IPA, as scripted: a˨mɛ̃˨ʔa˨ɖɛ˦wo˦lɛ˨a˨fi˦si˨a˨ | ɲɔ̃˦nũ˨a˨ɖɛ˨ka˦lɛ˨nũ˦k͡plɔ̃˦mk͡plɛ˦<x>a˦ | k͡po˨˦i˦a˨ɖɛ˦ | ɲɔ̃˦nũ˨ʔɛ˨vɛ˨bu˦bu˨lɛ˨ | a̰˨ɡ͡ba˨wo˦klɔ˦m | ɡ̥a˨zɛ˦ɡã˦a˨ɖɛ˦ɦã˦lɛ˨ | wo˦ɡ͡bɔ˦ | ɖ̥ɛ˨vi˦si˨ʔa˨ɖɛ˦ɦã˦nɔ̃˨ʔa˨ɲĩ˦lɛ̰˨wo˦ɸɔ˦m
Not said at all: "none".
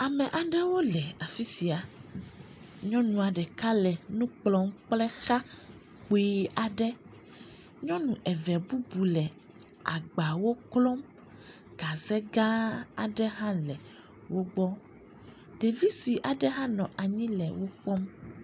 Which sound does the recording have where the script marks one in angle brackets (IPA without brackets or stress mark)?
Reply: x